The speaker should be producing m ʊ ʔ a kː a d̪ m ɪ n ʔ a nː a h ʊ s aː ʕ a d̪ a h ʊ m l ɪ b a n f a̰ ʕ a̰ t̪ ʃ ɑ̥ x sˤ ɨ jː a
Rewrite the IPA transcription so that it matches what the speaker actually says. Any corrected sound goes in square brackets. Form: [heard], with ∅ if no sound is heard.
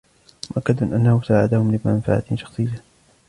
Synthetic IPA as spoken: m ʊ ʔ a kː a d̪ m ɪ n ʔ a nː a h ʊ s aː ʕ a d̪ a h ʊ m l ɪ [m] a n f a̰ ʕ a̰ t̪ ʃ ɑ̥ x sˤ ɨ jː a